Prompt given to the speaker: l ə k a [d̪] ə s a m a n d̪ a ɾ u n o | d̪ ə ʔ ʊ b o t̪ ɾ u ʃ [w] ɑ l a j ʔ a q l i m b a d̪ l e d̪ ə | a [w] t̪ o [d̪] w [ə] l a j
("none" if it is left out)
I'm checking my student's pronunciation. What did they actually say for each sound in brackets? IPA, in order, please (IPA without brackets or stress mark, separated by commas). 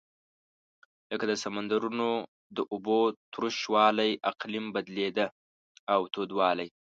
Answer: d̪, w, w, d̪, ɑ